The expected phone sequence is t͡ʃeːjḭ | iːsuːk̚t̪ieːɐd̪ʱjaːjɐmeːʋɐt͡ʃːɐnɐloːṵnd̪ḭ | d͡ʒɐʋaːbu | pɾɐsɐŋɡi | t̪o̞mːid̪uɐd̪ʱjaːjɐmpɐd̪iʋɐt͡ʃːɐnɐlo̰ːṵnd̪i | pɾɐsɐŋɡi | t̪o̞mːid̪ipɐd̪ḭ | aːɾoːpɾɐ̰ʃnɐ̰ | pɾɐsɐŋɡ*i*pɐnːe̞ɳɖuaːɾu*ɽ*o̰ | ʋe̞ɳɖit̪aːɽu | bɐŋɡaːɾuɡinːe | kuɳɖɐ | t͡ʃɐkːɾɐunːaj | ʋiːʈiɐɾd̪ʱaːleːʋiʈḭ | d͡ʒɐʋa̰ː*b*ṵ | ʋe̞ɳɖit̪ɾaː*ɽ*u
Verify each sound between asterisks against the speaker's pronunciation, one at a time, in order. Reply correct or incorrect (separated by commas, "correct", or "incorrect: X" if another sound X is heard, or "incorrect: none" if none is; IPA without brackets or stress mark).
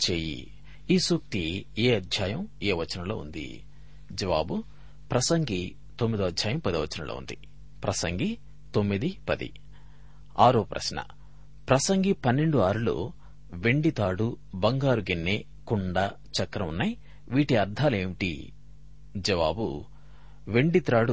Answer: correct, incorrect: l, correct, correct